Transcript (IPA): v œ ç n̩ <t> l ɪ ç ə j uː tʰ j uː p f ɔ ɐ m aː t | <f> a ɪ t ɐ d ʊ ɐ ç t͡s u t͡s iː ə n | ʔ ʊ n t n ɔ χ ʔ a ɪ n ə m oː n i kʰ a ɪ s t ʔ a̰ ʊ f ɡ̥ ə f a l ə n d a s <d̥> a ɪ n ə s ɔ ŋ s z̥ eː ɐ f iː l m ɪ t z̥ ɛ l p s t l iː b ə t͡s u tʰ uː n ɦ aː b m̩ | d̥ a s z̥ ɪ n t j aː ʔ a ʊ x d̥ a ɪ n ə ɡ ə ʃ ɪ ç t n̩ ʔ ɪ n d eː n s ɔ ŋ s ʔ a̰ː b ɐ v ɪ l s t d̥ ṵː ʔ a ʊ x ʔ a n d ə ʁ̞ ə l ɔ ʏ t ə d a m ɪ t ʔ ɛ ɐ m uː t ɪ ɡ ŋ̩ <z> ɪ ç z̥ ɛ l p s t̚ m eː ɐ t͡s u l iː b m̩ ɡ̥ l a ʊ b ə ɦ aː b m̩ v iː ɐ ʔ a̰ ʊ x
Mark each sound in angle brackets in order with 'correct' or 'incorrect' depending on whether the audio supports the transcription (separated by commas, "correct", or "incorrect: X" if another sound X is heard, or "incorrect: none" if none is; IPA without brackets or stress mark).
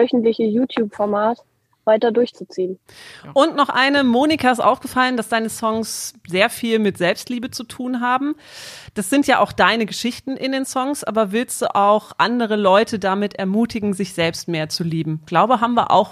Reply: correct, incorrect: v, correct, correct